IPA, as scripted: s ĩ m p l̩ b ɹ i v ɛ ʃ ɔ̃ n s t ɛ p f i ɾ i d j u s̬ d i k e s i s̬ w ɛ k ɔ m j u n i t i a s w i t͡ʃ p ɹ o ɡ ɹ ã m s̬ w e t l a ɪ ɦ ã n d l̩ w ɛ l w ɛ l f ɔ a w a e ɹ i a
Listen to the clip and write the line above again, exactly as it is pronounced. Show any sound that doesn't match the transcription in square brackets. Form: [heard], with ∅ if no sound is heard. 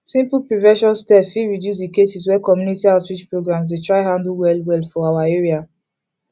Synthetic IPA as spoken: s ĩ m p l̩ [p] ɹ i v ɛ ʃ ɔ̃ n s t ɛ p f i [ɹ] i d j u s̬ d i k e s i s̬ w ɛ k ɔ m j u n i t i a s w i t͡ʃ p ɹ o ɡ ɹ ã m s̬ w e t [ɹ] a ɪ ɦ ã n d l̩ w ɛ l w ɛ l f ɔ a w a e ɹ i a